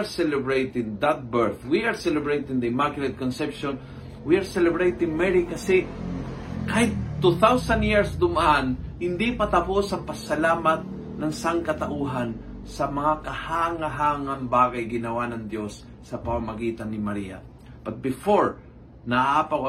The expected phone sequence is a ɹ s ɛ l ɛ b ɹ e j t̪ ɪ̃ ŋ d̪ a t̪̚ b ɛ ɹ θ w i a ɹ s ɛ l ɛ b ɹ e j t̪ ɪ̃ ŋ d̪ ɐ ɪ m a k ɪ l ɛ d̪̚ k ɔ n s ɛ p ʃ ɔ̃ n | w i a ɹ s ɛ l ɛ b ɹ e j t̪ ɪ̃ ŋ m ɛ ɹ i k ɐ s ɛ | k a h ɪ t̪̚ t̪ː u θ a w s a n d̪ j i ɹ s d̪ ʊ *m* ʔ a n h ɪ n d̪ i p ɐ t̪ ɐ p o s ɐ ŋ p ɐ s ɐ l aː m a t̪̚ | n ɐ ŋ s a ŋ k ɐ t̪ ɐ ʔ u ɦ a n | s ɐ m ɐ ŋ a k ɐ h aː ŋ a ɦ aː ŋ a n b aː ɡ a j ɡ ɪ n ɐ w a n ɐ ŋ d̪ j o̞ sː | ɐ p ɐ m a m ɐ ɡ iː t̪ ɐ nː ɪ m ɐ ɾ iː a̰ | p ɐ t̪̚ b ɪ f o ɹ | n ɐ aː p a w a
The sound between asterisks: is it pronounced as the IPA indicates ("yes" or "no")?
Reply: yes